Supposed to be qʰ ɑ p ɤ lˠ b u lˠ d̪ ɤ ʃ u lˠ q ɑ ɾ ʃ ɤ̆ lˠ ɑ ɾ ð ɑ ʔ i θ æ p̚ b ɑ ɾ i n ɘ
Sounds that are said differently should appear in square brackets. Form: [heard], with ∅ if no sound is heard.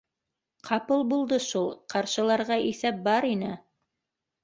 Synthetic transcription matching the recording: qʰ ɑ p ɤ lˠ b u lˠ d̪ ɤ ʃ u lˠ q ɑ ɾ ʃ ɤ̆ lˠ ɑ ɾ [ʁ] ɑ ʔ i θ æ p̚ b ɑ ɾ i n ɘ